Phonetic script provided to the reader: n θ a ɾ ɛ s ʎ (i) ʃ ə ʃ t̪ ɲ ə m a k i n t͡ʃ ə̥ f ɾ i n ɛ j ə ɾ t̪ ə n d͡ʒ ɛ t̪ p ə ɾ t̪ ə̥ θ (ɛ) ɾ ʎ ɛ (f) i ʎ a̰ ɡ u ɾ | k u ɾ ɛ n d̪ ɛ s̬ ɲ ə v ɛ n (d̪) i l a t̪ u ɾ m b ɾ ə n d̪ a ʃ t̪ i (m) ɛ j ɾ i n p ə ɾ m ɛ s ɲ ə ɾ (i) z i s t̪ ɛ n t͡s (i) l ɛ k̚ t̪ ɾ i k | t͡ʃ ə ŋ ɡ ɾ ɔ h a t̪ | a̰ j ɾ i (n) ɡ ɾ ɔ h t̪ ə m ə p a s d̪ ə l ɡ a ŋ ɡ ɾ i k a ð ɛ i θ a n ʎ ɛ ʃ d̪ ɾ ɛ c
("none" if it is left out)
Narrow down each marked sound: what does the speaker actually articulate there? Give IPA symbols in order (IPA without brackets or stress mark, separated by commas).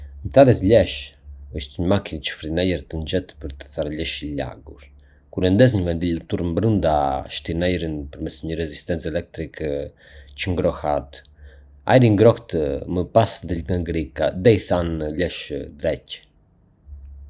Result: ɛ, a, ʃ, d̪, n, ɛ, ɛ, ŋ